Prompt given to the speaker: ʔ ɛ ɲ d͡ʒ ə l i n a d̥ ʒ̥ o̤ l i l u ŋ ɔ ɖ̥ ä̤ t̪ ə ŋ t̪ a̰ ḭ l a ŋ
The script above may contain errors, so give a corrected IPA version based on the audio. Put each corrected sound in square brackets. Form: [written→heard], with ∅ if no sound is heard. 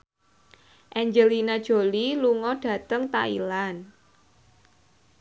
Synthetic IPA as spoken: ʔ ɛ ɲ d͡ʒ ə l i n a d̥ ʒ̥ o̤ l i l u ŋ ɔ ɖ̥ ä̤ t̪ ə ŋ t̪ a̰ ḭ l a [ŋ→n]